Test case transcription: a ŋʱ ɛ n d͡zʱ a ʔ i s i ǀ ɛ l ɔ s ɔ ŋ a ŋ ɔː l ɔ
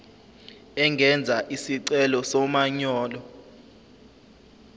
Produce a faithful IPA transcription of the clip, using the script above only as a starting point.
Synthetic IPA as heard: ɛ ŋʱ ɛ n d͡zʱ a ʔ i s i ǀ ɛ l ɔ s ɔ m a ɲ ɔː l ɔ